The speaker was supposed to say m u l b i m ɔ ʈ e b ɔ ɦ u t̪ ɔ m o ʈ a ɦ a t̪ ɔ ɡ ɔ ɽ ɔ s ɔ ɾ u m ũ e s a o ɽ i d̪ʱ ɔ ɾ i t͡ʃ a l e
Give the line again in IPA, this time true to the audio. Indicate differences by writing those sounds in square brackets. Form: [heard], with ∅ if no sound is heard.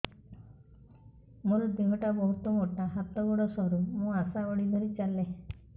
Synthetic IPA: m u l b i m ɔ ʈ [a] b ɔ ɦ u t̪ ɔ m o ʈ a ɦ a t̪ ɔ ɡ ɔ ɽ ɔ s ɔ ɾ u m ũ [a] s a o ɽ i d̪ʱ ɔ ɾ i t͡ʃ a l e